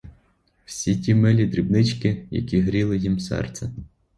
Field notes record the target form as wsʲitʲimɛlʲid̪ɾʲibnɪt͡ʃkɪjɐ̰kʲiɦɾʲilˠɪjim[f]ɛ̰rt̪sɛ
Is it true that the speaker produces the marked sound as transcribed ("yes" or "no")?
no